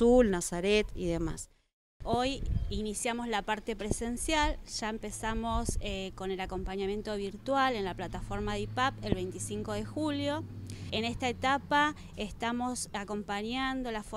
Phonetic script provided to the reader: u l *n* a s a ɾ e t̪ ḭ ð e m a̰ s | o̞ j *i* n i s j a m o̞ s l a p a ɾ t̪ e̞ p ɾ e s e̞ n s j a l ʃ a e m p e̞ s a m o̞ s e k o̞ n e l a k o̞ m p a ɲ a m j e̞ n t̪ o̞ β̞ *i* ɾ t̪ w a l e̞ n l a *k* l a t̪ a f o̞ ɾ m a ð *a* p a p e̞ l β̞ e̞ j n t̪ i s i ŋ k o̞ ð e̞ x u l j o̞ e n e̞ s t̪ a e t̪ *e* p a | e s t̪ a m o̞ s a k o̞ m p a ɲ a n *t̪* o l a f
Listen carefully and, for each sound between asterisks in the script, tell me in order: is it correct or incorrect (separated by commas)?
correct, correct, correct, incorrect, incorrect, incorrect, incorrect